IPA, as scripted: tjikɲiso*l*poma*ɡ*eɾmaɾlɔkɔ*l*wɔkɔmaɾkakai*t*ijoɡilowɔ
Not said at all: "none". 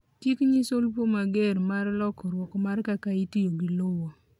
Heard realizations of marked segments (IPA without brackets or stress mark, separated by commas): l, ɡ, ɾ, t